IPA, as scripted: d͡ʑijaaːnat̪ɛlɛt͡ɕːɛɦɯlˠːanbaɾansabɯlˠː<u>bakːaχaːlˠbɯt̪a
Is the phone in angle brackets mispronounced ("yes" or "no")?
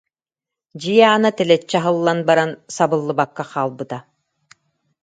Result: yes